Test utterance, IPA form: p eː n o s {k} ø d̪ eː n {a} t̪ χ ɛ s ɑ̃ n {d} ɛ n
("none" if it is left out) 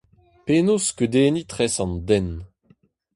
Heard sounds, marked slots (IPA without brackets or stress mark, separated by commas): k, i, d